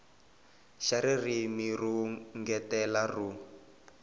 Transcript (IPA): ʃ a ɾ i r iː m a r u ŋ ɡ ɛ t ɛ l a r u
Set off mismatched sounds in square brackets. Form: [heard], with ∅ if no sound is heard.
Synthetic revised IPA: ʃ a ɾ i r [i] m [i] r u ŋ ɡ ɛ t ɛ l a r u